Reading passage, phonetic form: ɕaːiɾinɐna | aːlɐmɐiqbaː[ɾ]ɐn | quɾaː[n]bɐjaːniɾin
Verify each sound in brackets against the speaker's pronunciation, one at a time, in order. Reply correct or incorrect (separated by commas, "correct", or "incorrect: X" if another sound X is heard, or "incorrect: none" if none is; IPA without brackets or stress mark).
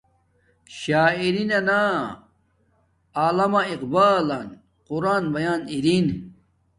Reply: incorrect: l, correct